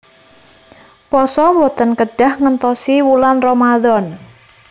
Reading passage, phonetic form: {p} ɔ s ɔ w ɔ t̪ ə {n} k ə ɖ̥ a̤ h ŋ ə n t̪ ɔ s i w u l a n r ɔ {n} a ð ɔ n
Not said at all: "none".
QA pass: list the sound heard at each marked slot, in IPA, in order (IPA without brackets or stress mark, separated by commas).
p, n, m